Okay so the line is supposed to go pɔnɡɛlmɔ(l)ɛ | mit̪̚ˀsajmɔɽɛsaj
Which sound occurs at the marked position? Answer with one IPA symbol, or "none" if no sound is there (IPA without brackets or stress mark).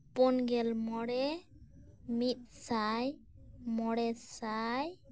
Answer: ɽ